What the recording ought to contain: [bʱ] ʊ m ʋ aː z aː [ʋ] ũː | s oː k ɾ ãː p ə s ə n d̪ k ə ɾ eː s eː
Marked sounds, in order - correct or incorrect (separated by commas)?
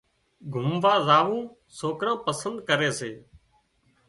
incorrect, correct